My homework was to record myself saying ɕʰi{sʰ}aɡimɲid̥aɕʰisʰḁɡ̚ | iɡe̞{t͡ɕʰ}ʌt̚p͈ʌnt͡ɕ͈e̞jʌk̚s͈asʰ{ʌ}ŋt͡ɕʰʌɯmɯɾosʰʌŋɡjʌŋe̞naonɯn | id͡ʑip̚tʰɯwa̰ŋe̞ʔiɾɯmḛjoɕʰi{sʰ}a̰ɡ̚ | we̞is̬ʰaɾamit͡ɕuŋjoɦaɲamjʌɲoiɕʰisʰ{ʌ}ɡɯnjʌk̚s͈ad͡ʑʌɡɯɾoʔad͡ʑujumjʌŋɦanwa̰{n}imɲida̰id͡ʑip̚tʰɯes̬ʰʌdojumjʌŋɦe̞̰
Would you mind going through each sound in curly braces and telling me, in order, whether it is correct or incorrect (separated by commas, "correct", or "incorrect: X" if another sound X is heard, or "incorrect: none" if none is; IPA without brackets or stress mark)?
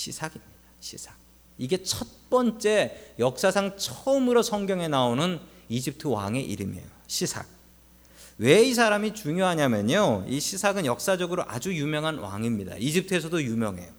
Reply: correct, correct, incorrect: a, correct, incorrect: a, incorrect: ŋ